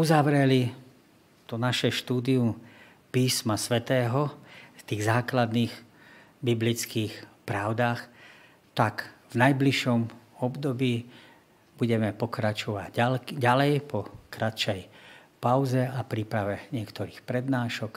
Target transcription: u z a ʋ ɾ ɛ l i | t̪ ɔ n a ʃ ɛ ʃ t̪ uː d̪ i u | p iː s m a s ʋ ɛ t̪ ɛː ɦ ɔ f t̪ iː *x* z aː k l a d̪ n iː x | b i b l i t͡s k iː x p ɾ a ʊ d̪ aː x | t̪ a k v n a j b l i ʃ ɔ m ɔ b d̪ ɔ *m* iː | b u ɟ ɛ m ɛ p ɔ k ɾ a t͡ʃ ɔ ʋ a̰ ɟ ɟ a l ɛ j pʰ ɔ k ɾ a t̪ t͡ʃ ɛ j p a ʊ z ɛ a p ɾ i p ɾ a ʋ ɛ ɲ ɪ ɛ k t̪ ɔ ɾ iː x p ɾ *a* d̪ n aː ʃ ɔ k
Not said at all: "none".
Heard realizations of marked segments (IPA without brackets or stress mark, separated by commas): ɣ, b, ɛ